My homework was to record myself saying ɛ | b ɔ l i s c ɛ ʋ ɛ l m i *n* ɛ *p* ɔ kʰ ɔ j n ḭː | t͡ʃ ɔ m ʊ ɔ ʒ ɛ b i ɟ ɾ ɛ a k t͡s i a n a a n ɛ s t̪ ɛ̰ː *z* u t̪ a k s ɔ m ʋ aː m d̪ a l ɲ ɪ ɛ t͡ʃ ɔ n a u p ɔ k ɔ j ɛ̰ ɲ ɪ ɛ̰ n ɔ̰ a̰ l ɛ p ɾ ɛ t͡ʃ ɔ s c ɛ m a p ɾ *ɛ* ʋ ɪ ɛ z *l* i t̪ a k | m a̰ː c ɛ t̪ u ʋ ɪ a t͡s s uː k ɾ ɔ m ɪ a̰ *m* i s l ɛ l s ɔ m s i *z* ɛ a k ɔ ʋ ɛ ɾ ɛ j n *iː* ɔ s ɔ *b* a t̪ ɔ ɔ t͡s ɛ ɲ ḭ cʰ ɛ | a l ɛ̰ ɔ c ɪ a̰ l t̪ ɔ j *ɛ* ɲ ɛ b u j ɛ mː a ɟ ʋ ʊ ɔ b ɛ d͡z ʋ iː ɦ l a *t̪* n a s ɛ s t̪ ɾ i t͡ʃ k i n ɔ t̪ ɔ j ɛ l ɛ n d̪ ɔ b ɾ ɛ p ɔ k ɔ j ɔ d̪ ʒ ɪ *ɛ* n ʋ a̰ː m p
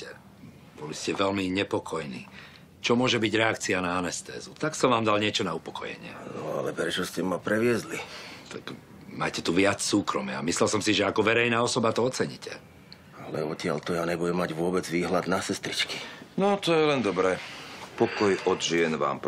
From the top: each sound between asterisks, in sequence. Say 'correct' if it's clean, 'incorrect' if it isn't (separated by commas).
incorrect, correct, correct, correct, correct, correct, incorrect, incorrect, correct, incorrect, incorrect, correct